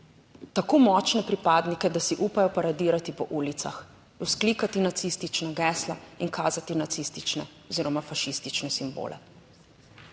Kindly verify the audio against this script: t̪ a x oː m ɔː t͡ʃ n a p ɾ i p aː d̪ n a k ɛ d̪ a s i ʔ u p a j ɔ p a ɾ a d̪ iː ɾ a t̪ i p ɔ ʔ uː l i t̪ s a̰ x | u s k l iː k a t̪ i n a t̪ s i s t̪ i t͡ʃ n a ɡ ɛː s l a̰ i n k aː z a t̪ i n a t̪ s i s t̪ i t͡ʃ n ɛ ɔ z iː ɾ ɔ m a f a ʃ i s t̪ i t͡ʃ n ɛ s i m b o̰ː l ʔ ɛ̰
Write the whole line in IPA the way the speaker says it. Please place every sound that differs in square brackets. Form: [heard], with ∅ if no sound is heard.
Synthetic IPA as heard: t̪ a [k] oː m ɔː t͡ʃ n [ɛ] p ɾ i p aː d̪ n [i] k ɛ d̪ a s i ʔ u p a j ɔ p a ɾ a d̪ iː ɾ a t̪ i p ɔ ʔ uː l i t̪ s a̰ x | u s k l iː k a t̪ i n a t̪ s i s t̪ i t͡ʃ n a ɡ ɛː s l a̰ i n k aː z a t̪ i n a t̪ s i s t̪ i t͡ʃ n ɛ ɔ z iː ɾ ɔ m a f a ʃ i s t̪ i t͡ʃ n ɛ s i m b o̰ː l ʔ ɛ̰